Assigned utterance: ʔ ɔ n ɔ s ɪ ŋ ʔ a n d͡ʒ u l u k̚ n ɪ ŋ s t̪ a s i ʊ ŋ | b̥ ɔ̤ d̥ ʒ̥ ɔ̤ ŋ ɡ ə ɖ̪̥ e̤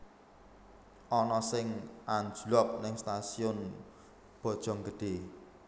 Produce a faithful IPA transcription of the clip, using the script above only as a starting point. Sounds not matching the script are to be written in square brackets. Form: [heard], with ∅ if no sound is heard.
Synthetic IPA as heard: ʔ ɔ n ɔ s ɪ ŋ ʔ a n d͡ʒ u l [ɔ] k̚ n ɪ ŋ s t̪ a s i ʊ [n] | b̥ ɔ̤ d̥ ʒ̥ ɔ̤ ŋ ɡ ə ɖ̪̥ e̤

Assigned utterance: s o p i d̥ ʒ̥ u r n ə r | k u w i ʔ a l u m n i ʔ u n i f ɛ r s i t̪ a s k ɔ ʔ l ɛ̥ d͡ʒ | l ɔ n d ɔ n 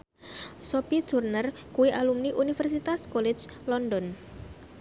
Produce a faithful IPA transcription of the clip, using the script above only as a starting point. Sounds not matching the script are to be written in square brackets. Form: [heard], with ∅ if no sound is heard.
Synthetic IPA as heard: s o p i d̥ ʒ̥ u r n ə r | k u w i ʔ a l u m n i ʔ u n i f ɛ r s i t̪ a s k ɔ [∅] l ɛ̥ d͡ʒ | l ɔ n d ɔ n

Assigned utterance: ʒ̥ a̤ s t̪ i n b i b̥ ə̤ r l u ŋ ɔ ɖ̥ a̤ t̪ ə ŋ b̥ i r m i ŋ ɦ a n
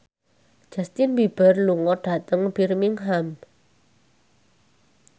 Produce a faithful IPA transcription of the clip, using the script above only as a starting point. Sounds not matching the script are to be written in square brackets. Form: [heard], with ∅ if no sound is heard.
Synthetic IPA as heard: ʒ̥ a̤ s t̪ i n b i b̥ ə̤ r l u ŋ ɔ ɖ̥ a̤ t̪ ə ŋ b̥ i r m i ŋ ɦ a [m]

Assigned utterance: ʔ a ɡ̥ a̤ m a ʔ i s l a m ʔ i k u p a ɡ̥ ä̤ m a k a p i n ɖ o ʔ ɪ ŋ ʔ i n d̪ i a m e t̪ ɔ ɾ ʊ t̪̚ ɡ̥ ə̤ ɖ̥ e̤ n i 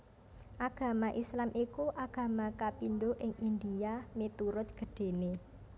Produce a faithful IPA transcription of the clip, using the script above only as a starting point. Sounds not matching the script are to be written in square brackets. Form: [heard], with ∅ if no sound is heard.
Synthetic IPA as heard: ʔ a ɡ̥ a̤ m a ʔ i s l a m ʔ i k u [ʔ] a ɡ̥ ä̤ m a k a p i n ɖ o ʔ ɪ ŋ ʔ i n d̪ i a m e t̪ [u] ɾ ʊ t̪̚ ɡ̥ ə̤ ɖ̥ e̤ n [e]

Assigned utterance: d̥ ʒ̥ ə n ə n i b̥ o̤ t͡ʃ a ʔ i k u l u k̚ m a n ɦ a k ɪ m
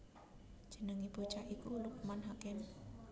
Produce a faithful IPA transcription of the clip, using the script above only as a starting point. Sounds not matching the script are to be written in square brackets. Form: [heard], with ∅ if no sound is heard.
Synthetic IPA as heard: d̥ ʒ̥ ə n ə [ŋ] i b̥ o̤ t͡ʃ a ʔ i k u l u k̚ m a n ɦ a k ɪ m

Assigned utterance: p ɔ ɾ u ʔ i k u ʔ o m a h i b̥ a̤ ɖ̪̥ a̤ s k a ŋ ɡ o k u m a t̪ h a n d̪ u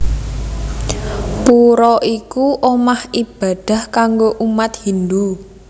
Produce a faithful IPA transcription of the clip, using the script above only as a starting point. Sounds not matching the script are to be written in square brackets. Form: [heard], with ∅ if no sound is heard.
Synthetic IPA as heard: p [u] ɾ [ɔ] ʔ i k u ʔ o m a h i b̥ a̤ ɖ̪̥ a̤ [h] k a ŋ ɡ o [ʔ] u m a t̪ h [i] n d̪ u

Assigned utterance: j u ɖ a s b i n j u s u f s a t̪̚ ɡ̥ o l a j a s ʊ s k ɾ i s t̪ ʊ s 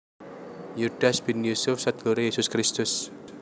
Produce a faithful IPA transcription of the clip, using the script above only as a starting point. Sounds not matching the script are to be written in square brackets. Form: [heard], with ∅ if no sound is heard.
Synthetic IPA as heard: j u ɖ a s b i n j u s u f s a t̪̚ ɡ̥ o [ɾ] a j [e] s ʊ s k ɾ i s t̪ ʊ s

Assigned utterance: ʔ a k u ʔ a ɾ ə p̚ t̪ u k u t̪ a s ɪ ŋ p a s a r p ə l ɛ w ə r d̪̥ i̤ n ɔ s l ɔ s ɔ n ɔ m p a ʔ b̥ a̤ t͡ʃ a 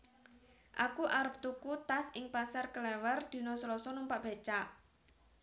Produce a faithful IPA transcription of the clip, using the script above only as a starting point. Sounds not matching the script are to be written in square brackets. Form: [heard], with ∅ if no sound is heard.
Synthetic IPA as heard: ʔ a k u ʔ a ɾ ə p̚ t̪ u k u t̪ a s ɪ ŋ p a s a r [k] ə l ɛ w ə r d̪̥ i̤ n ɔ s l ɔ s ɔ n [u] m p a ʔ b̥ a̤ t͡ʃ a

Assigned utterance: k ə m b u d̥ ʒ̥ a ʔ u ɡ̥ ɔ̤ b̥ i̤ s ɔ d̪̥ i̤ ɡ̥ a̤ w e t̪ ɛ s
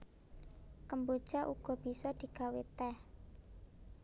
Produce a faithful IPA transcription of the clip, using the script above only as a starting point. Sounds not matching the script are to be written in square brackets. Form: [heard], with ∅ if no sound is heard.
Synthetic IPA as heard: k ə m b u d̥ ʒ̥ a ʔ u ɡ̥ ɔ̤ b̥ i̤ s ɔ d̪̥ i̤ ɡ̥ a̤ w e t̪ ɛ [h]

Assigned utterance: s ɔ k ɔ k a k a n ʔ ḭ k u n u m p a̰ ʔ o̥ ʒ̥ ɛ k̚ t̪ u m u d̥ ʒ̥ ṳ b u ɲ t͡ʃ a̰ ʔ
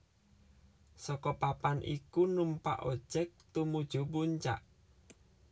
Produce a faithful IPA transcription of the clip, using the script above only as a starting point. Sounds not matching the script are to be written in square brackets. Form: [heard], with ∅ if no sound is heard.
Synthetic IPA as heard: s ɔ k ɔ [p] a [p] a n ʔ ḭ k u n u m p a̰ ʔ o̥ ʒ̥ ɛ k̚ t̪ u m u d̥ ʒ̥ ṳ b u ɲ t͡ʃ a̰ ʔ

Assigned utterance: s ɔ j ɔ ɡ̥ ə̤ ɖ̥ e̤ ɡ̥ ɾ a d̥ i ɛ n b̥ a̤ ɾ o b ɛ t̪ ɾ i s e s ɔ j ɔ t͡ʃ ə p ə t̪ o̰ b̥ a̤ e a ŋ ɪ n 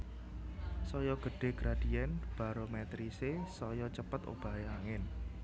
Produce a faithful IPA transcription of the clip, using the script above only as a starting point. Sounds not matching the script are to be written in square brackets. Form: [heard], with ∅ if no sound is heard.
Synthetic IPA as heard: s ɔ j ɔ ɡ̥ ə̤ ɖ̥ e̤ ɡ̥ ɾ a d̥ i ɛ n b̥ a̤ ɾ o [m] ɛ t̪ ɾ i s e s ɔ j ɔ t͡ʃ ə p ə t̪ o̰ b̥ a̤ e a ŋ ɪ n

